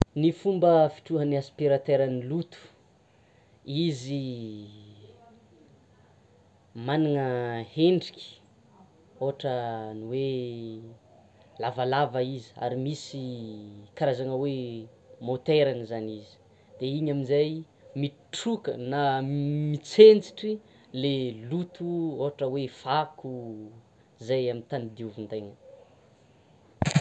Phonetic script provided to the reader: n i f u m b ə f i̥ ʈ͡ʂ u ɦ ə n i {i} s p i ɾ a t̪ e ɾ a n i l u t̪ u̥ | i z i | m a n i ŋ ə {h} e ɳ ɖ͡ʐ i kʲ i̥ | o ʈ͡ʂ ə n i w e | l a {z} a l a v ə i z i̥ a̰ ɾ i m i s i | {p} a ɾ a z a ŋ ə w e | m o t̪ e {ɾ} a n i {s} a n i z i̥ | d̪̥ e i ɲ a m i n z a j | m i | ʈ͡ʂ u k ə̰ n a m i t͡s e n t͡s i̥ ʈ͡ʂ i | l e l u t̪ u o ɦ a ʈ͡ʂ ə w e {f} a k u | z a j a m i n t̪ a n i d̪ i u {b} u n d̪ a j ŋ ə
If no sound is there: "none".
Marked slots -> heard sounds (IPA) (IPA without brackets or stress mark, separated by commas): a, h, v, k, ɾ, z, f, v